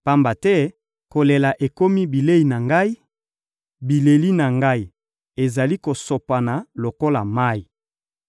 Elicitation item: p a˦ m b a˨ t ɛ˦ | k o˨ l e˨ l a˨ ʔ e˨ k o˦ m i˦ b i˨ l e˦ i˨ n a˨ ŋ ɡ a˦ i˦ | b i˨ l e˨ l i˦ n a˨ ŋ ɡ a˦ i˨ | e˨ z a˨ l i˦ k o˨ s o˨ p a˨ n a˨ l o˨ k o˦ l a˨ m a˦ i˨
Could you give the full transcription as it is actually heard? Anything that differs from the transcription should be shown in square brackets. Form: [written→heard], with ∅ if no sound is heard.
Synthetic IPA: p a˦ m b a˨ t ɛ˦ | k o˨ l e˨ l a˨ ʔ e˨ k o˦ m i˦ b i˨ l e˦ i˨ n a˨ ŋ ɡ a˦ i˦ | b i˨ l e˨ l i˦ n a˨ ŋ ɡ a˦ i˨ | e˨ z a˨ l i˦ k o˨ s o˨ p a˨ n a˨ l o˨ k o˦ l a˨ m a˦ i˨